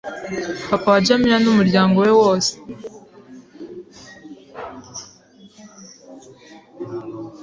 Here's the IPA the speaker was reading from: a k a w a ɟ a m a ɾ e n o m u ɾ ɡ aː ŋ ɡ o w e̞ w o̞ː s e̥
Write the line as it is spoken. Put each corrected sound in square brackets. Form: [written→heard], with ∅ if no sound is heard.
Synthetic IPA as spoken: a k a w a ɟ a m [a→i] ɾ [e→a] n [o→u] m u ɾ [ɡ→ɟ] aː ŋ ɡ o w e̞ w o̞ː s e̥